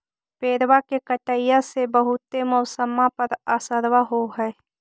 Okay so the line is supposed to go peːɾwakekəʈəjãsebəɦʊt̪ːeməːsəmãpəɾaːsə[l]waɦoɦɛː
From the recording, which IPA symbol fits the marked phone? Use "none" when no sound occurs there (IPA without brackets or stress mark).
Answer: ɾ